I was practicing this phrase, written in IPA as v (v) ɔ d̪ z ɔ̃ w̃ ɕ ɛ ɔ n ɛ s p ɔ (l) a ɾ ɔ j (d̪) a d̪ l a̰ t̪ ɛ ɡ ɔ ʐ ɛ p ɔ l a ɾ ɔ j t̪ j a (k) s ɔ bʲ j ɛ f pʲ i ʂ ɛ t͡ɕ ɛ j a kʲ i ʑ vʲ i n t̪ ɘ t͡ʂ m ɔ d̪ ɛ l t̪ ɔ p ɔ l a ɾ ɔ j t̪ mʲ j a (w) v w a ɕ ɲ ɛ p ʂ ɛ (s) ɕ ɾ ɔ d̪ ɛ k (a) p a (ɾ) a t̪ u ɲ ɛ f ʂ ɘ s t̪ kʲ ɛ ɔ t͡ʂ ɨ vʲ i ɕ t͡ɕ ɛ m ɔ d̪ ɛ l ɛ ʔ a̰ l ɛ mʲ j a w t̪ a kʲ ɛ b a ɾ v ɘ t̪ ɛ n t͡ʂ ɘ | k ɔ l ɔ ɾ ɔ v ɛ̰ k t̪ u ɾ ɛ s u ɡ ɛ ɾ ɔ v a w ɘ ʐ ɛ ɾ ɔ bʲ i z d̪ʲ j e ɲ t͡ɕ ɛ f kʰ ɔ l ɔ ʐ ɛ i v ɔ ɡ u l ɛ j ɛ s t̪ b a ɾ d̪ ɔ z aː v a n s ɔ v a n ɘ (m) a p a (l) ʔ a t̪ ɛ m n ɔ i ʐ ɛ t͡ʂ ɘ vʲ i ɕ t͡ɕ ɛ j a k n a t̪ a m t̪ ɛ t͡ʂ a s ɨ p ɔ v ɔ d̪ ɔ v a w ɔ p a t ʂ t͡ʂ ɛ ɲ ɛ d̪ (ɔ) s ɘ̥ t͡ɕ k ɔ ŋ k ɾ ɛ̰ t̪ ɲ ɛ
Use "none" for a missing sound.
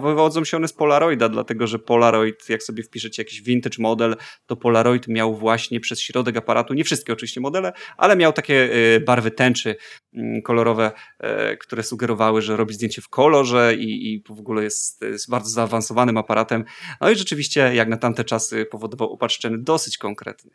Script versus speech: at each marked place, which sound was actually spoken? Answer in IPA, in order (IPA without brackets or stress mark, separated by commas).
v, l, d̪, k, w, s, a, ɾ, m, ɾ, ɔ